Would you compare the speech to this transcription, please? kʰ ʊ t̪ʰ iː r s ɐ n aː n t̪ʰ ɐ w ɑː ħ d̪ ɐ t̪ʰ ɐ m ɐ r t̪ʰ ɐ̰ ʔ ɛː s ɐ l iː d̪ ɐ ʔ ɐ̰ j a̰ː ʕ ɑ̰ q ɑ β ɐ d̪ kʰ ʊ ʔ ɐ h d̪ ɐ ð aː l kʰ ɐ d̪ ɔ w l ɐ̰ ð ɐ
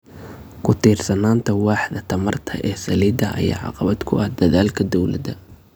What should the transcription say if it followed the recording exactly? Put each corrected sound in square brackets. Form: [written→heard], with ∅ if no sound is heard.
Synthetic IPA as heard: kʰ ʊ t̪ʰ iː r s ɐ n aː n t̪ʰ ɐ w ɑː ħ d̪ ɐ t̪ʰ ɐ m ɐ r t̪ʰ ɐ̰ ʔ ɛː s ɐ l iː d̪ ɐ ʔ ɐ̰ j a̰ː ʕ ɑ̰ q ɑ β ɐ d̪ kʰ ʊ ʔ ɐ h d̪ ɐ ð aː l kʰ ɐ d̪ ɔ w l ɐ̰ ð ɐ